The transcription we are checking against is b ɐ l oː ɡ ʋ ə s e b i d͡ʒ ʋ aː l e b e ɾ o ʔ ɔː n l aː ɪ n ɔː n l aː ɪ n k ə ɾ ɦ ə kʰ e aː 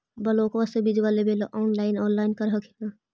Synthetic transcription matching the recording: b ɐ l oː k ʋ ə s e b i d͡ʒ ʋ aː l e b e l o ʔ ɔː n l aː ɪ n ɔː n l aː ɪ n k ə ɾ ɦ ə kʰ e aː